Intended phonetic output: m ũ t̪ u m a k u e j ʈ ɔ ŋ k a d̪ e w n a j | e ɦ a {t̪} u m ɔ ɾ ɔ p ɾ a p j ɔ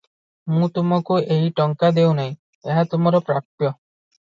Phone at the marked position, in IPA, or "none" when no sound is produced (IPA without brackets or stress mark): t̪